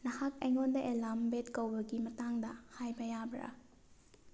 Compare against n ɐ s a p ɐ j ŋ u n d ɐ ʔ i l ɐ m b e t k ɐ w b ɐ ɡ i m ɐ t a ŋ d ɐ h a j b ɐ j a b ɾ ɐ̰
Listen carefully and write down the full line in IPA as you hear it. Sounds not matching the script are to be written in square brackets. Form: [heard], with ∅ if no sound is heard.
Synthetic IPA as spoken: n ɐ [h] a [k] ɐ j ŋ [o] n d ɐ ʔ [e] l [a] m b e t k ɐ w b ɐ ɡ i m ɐ t a ŋ d ɐ h a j b ɐ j a b ɾ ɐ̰